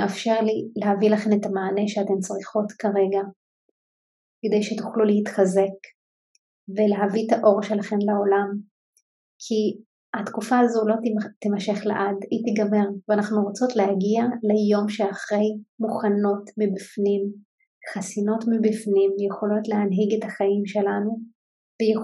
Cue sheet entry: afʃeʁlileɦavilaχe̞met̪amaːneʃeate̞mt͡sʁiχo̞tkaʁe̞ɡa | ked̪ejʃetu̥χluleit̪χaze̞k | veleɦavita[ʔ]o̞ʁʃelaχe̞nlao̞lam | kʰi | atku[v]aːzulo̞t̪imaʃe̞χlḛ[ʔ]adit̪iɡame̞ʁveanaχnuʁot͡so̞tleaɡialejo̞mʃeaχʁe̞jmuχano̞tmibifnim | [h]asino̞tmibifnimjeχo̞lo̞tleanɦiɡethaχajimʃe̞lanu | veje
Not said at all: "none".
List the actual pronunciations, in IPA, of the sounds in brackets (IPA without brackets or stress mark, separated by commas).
ʔ, f, ʔ, χ